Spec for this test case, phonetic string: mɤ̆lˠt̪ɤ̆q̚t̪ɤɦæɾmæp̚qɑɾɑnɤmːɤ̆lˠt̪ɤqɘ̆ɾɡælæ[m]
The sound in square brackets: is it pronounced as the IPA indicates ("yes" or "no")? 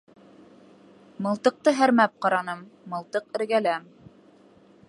yes